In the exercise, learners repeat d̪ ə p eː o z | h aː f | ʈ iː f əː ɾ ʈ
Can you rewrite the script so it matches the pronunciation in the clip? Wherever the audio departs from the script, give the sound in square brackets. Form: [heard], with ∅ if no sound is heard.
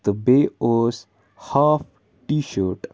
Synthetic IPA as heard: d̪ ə [b] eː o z | h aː f | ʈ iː [ʃ] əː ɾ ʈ

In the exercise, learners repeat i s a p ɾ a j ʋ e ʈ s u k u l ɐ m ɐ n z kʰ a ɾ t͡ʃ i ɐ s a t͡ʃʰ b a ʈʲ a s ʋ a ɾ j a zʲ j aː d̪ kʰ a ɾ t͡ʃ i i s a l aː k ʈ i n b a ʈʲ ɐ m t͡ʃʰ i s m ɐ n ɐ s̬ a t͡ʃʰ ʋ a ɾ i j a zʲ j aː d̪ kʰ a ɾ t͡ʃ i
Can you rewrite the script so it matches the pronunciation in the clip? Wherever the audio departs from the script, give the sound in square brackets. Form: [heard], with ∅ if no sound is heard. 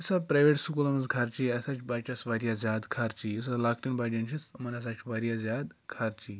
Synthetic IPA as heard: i s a p ɾ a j ʋ e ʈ s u k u l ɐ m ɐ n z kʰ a ɾ t͡ʃ i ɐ s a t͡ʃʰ b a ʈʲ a s ʋ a ɾ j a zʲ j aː d̪ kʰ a ɾ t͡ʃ i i s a l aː k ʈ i n b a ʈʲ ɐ [n] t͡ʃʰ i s m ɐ n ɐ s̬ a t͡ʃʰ ʋ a ɾ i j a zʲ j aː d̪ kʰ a ɾ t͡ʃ i

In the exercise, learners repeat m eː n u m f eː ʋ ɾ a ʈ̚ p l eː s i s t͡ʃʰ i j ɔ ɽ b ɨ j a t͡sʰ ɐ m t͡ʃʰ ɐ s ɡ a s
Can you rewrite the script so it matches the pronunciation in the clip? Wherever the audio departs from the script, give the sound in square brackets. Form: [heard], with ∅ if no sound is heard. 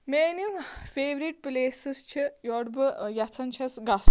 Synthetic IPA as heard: m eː n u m f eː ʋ ɾ [i] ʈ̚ p l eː s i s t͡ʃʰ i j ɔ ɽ b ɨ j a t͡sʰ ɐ [n] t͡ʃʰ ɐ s ɡ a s

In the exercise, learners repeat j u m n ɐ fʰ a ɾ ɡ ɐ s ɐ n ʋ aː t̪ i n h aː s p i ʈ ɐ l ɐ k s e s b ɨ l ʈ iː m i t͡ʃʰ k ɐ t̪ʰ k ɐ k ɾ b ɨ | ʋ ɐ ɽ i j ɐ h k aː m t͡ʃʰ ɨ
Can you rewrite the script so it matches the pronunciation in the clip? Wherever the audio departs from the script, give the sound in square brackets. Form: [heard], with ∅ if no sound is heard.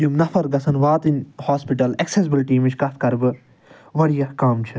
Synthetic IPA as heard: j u m n ɐ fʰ [ɐ] ɾ ɡ ɐ s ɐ n ʋ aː t̪ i n h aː s p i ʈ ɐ l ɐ k s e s b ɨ l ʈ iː m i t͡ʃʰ k ɐ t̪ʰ k ɐ [∅] ɾ b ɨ | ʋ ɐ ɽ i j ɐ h k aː m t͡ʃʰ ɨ

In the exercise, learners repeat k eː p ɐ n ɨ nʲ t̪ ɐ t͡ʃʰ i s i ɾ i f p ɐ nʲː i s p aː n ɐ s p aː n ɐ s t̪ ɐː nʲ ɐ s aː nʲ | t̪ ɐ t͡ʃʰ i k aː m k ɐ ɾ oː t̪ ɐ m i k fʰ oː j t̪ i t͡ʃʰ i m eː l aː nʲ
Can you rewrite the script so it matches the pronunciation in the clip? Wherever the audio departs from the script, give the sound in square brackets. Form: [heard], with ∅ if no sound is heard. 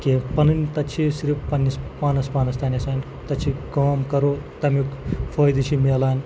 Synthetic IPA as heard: k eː p ɐ n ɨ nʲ t̪ ɐ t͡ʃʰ i s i ɾ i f p ɐ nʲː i s p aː n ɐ s p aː n ɐ s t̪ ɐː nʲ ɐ s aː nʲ | t̪ ɐ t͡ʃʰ i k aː m k ɐ ɾ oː t̪ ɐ m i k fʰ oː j [d̪] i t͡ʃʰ i m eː l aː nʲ

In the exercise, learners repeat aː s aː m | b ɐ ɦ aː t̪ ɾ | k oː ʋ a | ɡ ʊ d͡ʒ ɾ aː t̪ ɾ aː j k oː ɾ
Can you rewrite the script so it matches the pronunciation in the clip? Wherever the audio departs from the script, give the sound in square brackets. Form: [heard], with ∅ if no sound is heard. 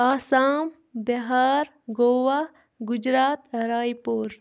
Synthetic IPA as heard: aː s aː m | b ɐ ɦ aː [∅] ɾ | [ɡ] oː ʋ a | ɡ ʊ d͡ʒ ɾ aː t̪ ɾ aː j [p] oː ɾ

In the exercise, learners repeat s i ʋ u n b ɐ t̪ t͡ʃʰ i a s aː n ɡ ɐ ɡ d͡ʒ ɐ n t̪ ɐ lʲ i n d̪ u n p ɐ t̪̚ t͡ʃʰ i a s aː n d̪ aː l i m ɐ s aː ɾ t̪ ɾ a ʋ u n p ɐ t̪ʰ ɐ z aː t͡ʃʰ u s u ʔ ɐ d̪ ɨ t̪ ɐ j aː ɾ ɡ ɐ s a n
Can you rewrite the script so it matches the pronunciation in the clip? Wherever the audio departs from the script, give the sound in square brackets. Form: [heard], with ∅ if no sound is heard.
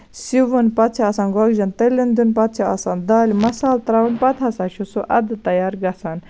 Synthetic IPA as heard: s i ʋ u n [p] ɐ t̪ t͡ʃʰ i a s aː n ɡ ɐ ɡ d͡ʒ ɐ n t̪ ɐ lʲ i n d̪ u n p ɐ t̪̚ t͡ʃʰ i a s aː n d̪ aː l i m ɐ s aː [l] t̪ ɾ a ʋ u n p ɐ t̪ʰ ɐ [s] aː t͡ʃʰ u s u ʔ ɐ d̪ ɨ t̪ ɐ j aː ɾ ɡ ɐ s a n

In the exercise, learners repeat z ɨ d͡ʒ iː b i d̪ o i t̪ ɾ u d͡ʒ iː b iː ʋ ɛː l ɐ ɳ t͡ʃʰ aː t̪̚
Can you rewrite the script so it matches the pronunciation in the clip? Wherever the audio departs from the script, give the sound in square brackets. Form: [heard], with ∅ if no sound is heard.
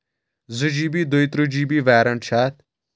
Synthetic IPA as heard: z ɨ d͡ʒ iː b i d̪ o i t̪ ɾ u d͡ʒ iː b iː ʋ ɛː [ɾ] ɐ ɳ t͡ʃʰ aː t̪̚

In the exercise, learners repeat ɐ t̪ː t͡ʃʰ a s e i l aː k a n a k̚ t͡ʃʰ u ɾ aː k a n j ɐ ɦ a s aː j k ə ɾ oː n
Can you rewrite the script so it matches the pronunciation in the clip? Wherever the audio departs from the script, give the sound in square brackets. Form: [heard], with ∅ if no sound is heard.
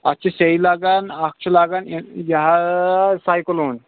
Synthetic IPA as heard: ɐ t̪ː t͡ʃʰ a s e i l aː [ɡ] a n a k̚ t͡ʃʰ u [l] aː [ɡ] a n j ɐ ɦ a s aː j k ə [l] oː n

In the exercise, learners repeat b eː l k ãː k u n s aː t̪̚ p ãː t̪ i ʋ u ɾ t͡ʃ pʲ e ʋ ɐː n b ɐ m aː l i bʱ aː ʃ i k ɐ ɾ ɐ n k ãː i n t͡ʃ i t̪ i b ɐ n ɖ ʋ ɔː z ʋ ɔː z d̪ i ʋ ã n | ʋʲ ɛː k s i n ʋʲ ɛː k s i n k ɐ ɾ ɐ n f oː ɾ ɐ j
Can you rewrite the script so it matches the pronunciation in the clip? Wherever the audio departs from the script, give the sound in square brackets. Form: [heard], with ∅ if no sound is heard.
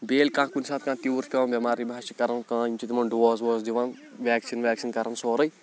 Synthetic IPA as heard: b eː l k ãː k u n s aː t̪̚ [k] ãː t̪ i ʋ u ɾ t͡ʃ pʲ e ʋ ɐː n b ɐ m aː [ɾ] i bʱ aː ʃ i k ɐ ɾ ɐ n k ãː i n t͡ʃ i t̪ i [m] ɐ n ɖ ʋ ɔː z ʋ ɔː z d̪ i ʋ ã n | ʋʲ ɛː k s i n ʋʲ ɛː k s i n k ɐ ɾ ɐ n [s] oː ɾ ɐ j

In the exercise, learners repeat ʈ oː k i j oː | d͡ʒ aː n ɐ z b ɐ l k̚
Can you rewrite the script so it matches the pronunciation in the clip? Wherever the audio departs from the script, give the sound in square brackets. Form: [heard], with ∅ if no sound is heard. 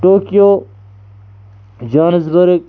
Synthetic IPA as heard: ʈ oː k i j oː | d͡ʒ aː n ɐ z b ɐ [ɾ] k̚

